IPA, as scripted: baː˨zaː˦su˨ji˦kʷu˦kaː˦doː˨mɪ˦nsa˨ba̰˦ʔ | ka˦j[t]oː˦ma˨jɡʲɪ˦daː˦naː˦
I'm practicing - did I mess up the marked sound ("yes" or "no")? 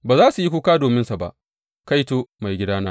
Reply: no